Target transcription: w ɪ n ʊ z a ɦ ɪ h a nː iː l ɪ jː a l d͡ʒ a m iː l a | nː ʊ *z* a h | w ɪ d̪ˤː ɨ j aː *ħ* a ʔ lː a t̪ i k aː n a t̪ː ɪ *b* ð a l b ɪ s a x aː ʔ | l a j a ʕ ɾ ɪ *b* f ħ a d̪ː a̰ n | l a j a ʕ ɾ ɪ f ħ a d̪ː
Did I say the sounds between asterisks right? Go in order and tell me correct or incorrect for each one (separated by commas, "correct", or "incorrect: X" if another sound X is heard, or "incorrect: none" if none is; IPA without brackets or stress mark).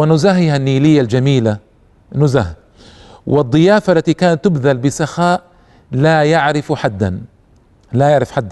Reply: correct, incorrect: f, correct, incorrect: none